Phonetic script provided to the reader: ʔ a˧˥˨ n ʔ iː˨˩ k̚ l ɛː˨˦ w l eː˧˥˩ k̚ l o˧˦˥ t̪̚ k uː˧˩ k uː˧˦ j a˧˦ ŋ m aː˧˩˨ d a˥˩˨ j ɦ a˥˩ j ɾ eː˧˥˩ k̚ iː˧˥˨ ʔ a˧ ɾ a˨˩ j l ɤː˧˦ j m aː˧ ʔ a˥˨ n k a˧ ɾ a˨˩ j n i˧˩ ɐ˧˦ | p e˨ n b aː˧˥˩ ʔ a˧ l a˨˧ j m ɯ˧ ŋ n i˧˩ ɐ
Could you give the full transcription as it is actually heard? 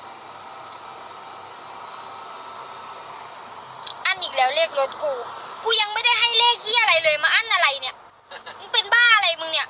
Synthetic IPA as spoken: ʔ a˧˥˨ n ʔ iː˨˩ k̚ l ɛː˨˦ w l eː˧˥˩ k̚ l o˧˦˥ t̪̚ k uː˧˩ k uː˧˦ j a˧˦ ŋ m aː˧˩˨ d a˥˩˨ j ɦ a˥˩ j l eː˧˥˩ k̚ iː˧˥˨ ʔ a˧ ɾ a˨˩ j l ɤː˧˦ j m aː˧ ʔ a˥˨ n ʔ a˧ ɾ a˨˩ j n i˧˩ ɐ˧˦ | p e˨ n b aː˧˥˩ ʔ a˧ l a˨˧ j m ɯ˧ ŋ n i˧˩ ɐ